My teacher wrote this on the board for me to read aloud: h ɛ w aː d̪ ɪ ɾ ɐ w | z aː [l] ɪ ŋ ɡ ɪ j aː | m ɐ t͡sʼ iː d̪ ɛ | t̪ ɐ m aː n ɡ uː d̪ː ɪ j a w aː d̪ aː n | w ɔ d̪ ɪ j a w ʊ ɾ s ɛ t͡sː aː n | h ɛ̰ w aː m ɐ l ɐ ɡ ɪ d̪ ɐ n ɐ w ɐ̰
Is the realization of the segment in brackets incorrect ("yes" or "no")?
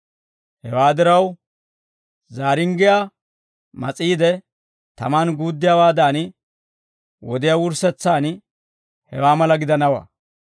yes